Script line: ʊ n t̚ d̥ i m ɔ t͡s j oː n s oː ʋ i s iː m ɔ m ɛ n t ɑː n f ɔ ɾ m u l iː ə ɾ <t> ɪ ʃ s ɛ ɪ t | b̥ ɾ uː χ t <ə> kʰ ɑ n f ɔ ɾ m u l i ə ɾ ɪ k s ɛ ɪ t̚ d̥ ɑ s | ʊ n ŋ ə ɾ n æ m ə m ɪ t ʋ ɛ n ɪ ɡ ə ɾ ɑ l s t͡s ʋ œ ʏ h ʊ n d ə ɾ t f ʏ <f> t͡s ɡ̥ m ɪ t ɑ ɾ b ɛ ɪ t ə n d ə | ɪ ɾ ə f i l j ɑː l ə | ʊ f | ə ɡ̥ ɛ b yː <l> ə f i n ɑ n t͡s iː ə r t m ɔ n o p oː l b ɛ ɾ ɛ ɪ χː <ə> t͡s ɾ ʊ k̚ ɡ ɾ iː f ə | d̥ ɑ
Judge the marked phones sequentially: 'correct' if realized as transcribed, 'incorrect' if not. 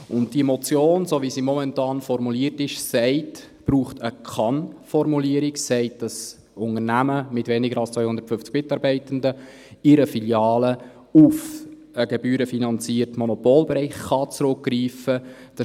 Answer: correct, correct, correct, incorrect: ɾ, incorrect: ɑ

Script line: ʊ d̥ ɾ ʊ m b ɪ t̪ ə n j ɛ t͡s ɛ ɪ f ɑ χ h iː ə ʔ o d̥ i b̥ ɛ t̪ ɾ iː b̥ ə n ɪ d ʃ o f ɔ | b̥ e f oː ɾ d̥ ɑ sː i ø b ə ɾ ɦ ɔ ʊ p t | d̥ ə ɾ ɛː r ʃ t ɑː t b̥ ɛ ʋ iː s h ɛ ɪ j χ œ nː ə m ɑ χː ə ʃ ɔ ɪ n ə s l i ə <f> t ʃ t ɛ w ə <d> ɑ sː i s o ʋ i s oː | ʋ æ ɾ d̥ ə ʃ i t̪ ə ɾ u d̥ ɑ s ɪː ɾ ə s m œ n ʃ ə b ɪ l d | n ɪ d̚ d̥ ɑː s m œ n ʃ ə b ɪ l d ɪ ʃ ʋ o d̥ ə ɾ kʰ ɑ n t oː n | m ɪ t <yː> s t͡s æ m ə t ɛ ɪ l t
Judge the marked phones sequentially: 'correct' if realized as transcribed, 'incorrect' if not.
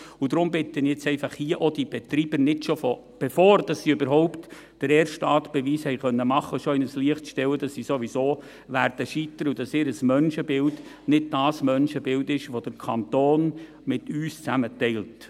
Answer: incorrect: χ, correct, correct

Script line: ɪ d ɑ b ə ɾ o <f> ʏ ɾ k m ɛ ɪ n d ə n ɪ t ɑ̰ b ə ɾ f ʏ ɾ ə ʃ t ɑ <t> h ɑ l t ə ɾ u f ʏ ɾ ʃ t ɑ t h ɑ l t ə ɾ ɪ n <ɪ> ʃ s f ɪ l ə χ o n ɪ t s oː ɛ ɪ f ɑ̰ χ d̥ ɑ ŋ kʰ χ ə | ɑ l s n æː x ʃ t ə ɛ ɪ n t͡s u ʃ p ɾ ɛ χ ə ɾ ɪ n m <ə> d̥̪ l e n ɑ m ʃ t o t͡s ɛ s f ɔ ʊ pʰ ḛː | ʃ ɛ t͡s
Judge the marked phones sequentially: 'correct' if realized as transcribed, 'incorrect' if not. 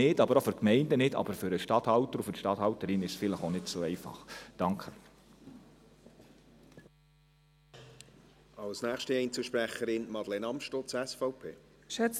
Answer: correct, correct, correct, incorrect: ɑ

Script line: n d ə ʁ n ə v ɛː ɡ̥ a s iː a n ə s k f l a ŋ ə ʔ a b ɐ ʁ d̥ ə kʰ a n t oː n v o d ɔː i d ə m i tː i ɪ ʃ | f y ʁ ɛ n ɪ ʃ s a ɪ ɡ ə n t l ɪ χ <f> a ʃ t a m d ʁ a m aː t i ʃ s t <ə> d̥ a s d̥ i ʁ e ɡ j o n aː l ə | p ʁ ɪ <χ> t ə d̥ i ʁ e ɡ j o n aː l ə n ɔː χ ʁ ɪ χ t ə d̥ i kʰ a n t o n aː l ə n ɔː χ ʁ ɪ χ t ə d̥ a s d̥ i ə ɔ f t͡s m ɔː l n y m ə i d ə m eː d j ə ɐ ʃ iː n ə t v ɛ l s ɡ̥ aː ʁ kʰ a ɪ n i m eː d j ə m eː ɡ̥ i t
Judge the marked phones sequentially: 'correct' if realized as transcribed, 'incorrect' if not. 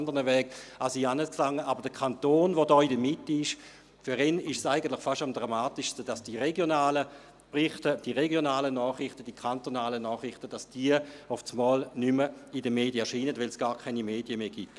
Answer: correct, correct, correct

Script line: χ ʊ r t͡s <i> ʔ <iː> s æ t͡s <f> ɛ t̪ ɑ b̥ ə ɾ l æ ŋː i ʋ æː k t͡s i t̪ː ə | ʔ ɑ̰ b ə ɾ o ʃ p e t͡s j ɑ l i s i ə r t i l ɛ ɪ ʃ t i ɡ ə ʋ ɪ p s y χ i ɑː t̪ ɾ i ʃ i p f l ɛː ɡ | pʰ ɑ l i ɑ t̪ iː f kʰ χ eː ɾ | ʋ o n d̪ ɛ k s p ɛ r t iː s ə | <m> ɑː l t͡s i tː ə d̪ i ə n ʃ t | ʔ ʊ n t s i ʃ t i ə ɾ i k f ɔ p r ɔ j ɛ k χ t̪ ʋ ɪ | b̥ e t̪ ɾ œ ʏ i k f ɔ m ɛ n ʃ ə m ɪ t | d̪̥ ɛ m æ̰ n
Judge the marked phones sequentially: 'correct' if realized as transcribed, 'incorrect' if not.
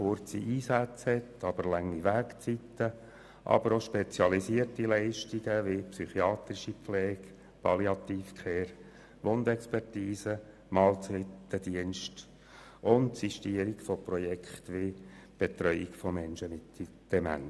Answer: correct, correct, incorrect: h, correct

